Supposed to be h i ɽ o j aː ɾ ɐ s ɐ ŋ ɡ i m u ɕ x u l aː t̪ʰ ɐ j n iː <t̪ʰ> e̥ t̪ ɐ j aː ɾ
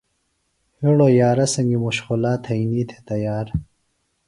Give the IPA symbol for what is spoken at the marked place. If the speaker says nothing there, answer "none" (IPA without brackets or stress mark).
t̪ʰ